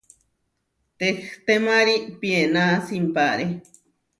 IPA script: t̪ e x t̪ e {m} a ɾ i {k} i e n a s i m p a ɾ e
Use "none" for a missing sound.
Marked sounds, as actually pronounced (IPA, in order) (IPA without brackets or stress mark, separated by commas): m, p